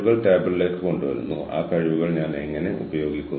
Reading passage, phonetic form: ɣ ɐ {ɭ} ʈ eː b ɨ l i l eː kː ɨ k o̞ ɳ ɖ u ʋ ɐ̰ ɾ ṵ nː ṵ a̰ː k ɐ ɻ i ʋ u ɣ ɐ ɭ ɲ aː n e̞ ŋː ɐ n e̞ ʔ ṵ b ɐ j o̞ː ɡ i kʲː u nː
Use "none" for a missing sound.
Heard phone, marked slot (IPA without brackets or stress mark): ɭ